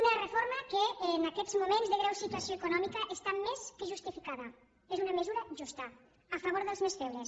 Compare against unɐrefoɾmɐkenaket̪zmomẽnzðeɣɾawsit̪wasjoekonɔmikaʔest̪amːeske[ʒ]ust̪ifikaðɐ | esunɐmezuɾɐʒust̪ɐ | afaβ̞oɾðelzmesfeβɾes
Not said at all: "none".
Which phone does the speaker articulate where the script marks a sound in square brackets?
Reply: ʒ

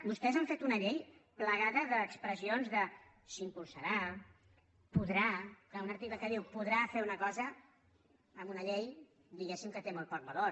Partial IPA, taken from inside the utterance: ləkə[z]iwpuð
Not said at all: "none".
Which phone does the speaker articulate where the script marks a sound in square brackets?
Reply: ð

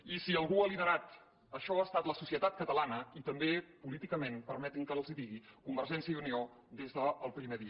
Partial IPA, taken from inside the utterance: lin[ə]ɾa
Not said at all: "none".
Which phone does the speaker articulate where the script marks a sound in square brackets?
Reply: ə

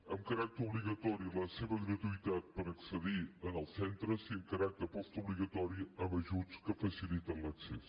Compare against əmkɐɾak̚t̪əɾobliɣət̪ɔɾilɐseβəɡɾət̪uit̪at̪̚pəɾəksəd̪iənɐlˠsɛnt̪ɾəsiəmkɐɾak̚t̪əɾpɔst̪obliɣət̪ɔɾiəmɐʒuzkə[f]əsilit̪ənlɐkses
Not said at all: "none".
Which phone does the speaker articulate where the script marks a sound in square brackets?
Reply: f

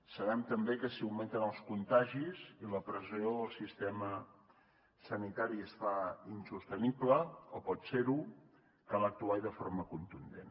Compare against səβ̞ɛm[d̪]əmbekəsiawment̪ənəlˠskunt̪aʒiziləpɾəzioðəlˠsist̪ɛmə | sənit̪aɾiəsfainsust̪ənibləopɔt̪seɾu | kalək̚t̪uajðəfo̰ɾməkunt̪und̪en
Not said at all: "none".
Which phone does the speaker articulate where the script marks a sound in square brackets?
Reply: t̪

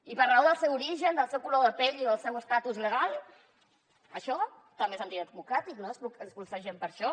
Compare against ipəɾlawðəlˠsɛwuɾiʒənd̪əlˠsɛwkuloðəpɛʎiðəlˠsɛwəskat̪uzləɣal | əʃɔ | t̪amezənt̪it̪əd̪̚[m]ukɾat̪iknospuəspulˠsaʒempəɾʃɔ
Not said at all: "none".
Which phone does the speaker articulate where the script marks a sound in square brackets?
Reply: m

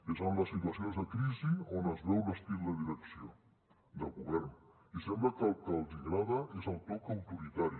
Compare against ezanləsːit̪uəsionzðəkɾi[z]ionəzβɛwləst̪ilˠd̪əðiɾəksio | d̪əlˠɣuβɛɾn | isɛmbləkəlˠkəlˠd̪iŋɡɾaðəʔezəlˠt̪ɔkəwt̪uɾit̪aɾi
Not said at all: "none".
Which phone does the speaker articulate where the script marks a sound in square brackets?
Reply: z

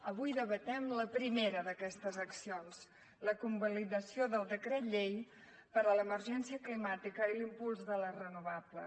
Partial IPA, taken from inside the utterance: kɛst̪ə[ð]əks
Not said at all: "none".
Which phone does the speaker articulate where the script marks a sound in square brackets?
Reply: z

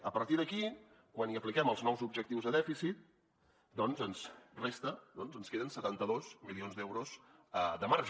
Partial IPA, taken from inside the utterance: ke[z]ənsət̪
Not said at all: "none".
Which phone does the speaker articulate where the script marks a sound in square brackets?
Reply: ð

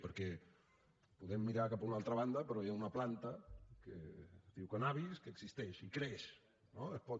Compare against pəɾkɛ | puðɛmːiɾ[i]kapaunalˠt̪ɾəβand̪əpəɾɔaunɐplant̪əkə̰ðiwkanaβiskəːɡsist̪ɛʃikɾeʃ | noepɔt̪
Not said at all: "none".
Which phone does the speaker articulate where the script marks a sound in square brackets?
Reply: a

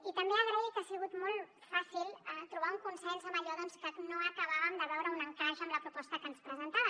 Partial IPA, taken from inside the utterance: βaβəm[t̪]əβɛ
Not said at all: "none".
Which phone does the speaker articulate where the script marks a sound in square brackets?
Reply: d̪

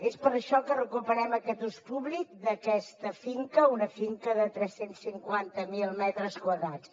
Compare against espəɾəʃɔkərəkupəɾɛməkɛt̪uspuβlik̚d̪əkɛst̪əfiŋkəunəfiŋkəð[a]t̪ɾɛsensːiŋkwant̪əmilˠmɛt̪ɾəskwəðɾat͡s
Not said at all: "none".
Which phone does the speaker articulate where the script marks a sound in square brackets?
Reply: ə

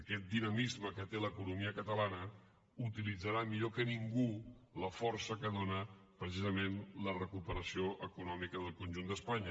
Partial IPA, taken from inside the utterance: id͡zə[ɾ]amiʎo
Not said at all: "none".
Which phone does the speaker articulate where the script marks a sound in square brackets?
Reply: ɾ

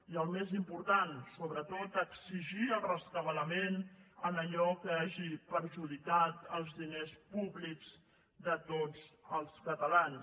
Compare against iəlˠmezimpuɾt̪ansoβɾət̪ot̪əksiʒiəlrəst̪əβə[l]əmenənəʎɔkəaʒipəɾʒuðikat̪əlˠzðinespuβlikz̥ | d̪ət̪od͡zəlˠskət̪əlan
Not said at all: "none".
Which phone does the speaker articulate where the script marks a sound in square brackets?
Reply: l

